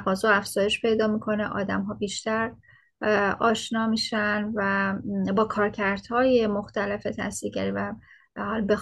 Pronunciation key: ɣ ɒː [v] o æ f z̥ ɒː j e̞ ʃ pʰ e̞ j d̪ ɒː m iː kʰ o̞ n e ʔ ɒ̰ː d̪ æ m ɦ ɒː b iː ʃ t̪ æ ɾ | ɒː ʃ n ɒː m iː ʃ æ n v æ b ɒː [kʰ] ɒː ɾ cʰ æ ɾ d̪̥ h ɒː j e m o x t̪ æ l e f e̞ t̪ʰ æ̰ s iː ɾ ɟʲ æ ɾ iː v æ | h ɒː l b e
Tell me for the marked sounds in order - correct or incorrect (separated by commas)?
incorrect, correct